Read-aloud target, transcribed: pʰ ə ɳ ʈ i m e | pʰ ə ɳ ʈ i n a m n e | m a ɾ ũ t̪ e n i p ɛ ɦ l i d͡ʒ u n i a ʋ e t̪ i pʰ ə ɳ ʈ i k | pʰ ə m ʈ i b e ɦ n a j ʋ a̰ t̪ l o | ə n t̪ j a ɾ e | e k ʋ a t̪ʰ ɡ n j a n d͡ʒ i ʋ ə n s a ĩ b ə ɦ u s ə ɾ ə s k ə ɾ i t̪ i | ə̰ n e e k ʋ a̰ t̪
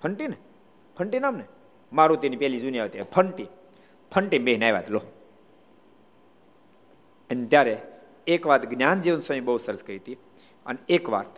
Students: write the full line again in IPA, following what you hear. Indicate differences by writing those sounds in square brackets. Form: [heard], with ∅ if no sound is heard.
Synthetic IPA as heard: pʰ ə ɳ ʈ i [n] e | pʰ ə ɳ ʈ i n a m n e | m a ɾ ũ t̪ e n i p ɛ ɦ l i d͡ʒ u n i a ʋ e t̪ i pʰ ə ɳ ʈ i [∅] | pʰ ə [ɳ] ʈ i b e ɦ n a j ʋ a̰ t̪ l o | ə n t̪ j a ɾ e | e k ʋ a [t̪] ɡ n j a n d͡ʒ i ʋ ə n s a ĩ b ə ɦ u s ə ɾ ə s k ə ɾ i t̪ i | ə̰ n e e k ʋ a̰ t̪